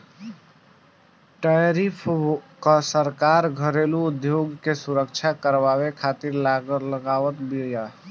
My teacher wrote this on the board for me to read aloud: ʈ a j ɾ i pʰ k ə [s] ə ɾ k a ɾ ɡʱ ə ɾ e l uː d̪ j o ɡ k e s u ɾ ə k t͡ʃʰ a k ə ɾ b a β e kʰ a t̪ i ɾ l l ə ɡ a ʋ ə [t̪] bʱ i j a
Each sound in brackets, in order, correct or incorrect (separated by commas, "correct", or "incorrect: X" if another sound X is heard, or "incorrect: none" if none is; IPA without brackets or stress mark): correct, correct